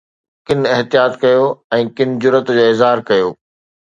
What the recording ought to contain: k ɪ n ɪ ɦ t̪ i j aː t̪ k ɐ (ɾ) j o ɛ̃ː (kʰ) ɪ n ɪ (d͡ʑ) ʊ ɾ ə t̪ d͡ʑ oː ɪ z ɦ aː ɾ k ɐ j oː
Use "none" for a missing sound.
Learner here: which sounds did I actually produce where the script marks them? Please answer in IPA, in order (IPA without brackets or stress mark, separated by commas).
none, k, d͡ʑ